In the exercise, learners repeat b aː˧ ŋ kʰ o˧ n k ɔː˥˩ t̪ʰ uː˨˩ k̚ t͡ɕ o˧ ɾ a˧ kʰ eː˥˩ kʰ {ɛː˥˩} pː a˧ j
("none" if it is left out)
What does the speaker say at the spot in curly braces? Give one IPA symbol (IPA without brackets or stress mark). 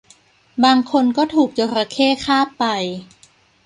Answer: aː˥˩